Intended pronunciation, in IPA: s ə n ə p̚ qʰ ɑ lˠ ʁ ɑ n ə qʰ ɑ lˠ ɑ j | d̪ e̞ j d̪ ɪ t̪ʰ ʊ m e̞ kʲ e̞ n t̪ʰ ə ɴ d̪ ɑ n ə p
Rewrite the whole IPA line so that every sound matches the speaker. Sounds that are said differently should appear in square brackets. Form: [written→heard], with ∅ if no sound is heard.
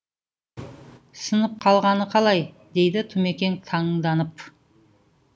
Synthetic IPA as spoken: s ə n ə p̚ qʰ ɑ lˠ ʁ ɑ n ə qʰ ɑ lˠ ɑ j | d̪ e̞ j d̪ ɪ t̪ʰ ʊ m e̞ kʲ e̞ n t̪ʰ [ə→ɑ] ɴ d̪ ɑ n ə p